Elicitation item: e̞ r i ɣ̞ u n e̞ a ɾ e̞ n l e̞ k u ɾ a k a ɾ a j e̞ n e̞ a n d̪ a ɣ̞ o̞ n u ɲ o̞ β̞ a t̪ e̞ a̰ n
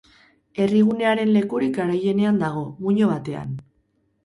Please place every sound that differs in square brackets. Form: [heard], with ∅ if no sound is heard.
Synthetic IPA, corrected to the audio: e̞ r i ɣ̞ u n e̞ a ɾ e̞ n l e̞ k u ɾ [i] k a ɾ a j e̞ n e̞ a n d̪ a ɣ̞ o̞ [m] u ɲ o̞ β̞ a t̪ e̞ a̰ n